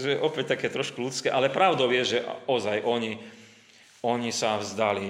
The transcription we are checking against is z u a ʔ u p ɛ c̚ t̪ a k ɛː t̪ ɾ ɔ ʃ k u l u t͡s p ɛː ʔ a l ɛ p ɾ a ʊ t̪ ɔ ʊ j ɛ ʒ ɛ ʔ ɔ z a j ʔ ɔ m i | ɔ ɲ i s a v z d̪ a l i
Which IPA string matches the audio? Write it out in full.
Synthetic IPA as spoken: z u ɛ ʔ ɔ p ɛ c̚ t̪ a k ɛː t̪ ɾ ɔ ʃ k u l u t͡s k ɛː ʔ a l ɛ p ɾ a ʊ d̪ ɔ ʊ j ɛ ʒ ɛ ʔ ɔ z a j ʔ ɔ ɲ i | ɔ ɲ i s a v z d̪ a l i